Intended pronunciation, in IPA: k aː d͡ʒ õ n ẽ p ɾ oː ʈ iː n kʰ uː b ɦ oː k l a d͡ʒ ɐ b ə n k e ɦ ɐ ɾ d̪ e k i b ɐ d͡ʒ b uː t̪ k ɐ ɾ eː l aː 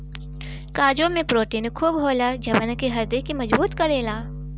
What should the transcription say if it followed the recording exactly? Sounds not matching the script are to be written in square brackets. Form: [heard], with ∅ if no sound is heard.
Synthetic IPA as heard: k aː d͡ʒ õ [m] ẽ p ɾ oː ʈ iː n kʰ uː b ɦ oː [∅] l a d͡ʒ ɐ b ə n k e ɦ ɐ ɾ d̪ e k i [m] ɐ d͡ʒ b uː t̪ k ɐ ɾ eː l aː